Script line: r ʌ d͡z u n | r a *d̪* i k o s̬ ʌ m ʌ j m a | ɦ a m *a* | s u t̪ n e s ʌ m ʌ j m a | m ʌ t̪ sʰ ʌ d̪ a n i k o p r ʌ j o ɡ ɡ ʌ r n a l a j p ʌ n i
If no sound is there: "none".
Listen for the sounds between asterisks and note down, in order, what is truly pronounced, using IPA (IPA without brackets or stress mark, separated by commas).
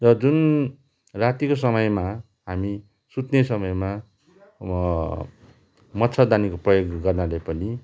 t̪, i